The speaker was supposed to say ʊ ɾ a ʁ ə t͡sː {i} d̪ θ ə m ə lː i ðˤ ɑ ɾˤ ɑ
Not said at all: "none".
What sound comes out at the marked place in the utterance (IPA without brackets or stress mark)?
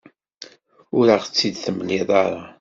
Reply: i